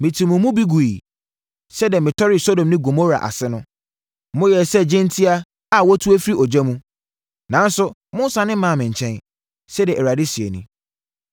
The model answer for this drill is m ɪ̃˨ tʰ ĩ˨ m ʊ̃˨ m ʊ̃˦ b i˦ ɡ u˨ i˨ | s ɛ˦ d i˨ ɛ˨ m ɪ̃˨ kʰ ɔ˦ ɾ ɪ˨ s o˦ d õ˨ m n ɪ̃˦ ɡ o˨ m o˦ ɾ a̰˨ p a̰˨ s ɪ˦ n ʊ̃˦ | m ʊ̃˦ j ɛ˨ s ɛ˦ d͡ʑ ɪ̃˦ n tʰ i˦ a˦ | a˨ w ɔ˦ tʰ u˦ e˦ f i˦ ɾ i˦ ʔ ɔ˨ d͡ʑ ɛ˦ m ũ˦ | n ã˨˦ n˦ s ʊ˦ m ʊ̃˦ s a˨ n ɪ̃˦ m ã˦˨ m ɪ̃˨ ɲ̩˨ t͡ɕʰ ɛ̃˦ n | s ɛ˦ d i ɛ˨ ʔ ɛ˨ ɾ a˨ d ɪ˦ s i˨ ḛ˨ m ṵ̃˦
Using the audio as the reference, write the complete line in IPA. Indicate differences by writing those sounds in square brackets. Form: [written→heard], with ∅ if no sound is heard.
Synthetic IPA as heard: m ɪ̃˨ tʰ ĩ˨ m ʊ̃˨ m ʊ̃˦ b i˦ ɡ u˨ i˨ | s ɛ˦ d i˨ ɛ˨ m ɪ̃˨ [kʰ→tʰ] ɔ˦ ɾ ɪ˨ s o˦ d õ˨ m n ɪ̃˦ ɡ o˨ m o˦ ɾ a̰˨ [p→ʔ] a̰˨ s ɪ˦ n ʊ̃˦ | m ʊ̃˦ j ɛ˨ s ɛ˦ d͡ʑ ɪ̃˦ n tʰ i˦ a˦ | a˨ w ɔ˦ tʰ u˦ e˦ f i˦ ɾ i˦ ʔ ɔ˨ d͡ʑ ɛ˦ m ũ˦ | n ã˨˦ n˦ s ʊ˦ m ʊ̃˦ s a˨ n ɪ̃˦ m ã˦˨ m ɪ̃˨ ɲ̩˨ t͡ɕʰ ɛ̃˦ n | s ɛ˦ d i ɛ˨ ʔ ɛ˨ ɾ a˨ d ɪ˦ s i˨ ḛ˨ [m→n] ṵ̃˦